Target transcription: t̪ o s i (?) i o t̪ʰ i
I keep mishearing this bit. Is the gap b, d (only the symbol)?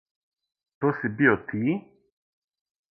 b